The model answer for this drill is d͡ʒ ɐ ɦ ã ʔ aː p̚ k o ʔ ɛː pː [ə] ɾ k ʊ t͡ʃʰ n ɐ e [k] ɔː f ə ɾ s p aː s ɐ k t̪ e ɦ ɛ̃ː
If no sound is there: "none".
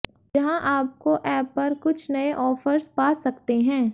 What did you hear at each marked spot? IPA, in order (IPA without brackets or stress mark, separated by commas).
ɐ, ʔ